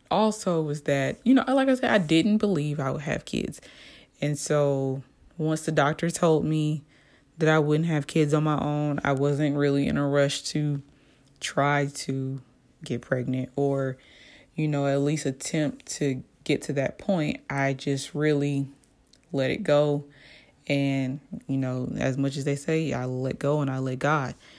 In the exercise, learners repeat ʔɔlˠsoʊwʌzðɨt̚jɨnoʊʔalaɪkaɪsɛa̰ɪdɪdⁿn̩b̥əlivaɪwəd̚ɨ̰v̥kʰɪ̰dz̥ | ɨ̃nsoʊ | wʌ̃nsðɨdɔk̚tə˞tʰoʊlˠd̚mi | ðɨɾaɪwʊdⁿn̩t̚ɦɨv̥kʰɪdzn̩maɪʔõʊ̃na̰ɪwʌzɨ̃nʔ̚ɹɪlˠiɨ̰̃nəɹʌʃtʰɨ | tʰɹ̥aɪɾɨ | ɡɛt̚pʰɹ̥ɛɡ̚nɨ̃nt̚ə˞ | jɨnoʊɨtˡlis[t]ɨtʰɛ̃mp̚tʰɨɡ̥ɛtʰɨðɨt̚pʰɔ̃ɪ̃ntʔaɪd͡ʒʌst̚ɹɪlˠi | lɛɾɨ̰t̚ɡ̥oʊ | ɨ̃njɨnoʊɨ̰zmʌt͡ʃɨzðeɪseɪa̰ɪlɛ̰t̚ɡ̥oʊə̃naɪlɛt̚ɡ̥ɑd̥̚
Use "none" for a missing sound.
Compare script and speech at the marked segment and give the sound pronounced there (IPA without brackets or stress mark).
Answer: t